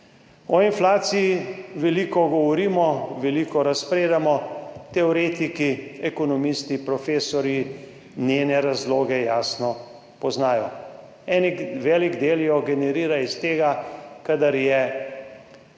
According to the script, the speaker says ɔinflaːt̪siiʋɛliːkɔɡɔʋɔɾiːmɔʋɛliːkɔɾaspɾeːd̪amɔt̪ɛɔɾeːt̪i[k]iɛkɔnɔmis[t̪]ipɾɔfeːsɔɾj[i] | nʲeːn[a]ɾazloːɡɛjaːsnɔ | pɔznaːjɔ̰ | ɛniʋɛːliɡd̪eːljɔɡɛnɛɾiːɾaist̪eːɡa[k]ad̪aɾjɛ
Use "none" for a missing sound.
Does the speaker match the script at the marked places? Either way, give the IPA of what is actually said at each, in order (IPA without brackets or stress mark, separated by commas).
k, t̪, i, ɛ, k